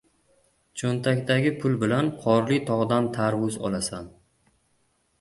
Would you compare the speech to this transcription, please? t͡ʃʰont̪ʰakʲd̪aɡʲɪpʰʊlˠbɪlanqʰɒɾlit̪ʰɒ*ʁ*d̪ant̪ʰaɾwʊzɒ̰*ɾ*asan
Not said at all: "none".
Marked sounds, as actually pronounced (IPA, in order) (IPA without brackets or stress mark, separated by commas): ʁ, l